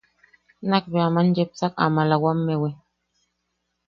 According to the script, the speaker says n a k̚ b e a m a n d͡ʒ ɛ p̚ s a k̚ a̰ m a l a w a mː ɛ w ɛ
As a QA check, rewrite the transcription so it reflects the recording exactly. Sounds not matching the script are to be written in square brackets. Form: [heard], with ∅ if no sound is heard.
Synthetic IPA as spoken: n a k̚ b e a m a n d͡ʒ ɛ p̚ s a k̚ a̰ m a l a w a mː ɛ w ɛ